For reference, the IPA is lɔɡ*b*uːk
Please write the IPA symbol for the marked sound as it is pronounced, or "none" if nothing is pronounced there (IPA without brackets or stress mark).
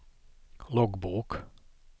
b